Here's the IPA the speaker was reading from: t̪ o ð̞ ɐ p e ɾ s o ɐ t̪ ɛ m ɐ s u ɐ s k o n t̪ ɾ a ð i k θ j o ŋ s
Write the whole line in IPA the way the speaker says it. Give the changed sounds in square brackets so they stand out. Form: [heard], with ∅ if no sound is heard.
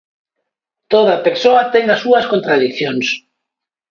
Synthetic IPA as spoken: t̪ o ð̞ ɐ p e ɾ s o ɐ t̪ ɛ [ŋ] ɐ s u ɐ s k o n t̪ ɾ a ð i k θ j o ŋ s